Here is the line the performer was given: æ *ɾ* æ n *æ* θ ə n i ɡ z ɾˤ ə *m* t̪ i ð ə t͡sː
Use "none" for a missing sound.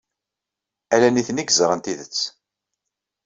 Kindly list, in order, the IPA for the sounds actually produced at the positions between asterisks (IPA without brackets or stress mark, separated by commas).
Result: l, i, n